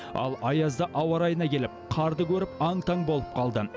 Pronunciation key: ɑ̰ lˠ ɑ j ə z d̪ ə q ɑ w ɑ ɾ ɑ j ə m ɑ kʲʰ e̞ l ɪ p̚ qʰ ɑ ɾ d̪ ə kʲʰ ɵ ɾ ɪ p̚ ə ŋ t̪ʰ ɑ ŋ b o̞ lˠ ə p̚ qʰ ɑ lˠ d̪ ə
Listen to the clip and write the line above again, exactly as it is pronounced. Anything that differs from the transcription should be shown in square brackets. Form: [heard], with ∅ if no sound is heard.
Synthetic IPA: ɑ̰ lˠ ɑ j [ɑ] z d̪ ə [ʔ] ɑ w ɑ ɾ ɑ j ə [n] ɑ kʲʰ e̞ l ɪ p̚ qʰ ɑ ɾ d̪ ə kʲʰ ɵ ɾ ɪ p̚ [ɑ] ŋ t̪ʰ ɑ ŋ b o̞ lˠ ə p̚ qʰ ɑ lˠ d̪ ə